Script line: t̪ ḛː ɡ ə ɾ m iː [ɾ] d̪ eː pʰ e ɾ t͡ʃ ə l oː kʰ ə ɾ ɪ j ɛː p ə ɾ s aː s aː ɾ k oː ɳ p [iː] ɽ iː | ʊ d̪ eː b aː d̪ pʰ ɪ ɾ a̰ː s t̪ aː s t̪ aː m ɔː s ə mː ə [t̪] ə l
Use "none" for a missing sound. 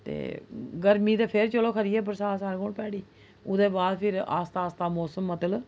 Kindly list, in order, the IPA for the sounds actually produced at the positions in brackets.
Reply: none, ɛː, t̪

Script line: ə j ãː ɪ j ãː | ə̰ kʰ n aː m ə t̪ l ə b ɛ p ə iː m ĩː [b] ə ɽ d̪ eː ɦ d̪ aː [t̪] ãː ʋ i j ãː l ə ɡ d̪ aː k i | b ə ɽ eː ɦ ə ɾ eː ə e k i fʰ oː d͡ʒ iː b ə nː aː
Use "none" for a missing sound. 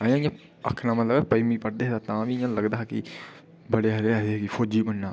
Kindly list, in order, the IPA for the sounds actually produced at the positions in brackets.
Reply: p, t̪

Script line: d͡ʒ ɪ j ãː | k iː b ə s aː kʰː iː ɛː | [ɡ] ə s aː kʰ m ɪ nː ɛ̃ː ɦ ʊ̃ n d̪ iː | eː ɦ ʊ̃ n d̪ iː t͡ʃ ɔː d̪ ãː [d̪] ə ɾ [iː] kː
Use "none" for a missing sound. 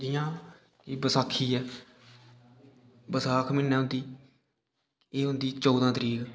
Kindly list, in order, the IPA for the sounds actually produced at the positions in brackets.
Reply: b, t̪, iː

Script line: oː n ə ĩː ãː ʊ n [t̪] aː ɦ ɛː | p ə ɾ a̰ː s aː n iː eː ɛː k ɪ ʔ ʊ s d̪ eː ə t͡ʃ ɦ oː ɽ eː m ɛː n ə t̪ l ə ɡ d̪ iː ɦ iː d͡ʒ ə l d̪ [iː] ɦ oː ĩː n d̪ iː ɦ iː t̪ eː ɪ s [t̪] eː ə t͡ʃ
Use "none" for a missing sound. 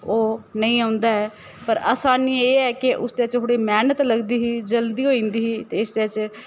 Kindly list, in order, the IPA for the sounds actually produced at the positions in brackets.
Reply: d̪, iː, d̪

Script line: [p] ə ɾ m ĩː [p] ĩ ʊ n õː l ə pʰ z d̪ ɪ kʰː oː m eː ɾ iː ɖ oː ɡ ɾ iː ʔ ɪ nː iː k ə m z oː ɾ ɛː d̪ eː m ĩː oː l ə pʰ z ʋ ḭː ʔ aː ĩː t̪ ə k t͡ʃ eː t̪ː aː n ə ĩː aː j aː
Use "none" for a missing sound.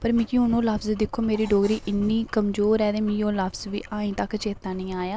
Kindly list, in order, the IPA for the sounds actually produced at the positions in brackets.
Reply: p, k

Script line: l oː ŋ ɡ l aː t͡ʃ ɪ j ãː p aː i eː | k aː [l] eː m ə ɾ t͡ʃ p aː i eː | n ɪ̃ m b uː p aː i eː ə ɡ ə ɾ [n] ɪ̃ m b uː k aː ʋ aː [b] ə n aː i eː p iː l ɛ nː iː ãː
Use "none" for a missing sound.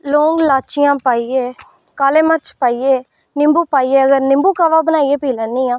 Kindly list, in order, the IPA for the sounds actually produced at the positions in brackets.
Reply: l, n, b

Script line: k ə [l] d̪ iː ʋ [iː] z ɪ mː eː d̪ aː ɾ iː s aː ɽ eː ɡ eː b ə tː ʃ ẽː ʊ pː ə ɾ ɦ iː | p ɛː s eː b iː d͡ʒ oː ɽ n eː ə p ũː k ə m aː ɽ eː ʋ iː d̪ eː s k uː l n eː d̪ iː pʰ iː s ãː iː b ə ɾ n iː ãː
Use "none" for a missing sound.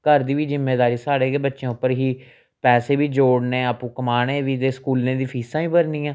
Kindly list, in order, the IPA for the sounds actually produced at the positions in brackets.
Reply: ɾ, iː

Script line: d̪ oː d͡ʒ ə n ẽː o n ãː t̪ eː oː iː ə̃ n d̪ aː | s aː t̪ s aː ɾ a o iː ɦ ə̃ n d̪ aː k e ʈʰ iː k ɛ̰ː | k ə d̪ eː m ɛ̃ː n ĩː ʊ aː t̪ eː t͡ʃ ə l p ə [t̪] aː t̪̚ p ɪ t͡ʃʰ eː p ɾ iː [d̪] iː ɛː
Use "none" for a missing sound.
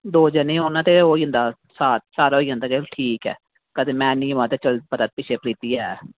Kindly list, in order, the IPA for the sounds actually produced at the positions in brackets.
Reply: t̪, t̪

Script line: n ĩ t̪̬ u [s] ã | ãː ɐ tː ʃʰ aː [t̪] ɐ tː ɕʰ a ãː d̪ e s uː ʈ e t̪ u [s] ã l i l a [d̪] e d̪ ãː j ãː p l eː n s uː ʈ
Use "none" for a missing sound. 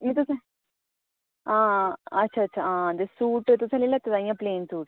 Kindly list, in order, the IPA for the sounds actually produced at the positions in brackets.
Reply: s, none, s, t̪

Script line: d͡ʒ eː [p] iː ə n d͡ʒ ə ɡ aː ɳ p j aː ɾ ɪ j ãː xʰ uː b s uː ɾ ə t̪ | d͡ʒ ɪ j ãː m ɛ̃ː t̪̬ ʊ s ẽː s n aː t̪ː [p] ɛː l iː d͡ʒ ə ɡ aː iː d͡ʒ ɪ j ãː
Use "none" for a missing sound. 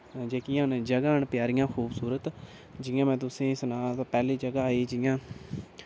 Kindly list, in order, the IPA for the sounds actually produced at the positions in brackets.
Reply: k, p

